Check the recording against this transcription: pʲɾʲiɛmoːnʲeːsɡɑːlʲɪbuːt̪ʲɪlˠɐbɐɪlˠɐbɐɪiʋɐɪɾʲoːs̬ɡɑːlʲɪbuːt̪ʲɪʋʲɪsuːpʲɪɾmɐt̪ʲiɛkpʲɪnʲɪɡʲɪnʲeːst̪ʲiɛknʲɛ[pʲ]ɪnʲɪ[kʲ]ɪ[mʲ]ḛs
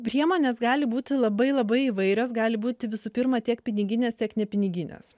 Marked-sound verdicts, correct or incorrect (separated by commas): correct, incorrect, incorrect